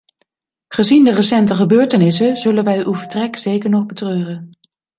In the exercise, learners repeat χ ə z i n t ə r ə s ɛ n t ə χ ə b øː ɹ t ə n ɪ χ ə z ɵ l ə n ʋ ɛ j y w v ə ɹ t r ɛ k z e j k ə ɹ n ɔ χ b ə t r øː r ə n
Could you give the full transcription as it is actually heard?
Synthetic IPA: χ ə z i n d ə r ə s ɛ n t ə χ ə b øː ɹ t ə n ɪ s ə z ɵ l ə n ʋ ɛ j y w v ə ɹ t r ɛ k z e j k ə ɹ n ɔ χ b ə t r øː r ə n